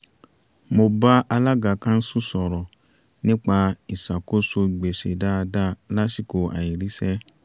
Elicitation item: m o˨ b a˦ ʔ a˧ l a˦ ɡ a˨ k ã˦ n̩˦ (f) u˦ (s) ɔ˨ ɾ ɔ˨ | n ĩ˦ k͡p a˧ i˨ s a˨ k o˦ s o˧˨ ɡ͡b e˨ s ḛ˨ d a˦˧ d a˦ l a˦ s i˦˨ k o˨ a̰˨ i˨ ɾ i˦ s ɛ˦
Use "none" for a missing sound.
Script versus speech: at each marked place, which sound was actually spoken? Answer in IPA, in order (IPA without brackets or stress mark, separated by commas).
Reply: s, s